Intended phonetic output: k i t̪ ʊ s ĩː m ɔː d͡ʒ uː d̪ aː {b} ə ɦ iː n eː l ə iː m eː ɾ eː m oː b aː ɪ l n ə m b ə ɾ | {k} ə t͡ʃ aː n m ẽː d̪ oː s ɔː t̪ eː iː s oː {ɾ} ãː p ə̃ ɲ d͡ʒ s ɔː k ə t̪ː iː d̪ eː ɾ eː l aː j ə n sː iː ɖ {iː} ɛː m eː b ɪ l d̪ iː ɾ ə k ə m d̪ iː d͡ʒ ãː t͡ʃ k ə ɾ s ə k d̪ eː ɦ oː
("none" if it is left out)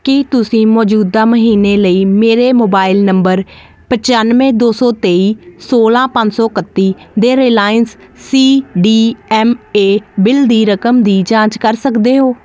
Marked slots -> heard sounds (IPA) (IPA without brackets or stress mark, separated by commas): m, p, l, iː